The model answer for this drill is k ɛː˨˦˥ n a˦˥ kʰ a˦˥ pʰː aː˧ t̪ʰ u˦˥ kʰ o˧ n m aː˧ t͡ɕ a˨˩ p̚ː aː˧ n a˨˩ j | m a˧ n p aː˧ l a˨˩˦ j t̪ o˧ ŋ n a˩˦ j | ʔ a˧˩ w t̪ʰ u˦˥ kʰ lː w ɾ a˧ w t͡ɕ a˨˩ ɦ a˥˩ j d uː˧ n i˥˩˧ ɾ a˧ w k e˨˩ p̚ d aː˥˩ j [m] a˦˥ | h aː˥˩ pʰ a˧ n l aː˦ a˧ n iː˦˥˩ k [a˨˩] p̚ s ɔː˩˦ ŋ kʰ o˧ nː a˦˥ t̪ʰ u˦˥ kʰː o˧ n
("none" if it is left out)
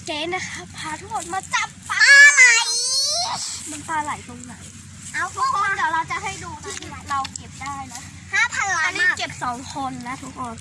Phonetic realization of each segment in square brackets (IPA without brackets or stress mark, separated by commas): n, e˨˩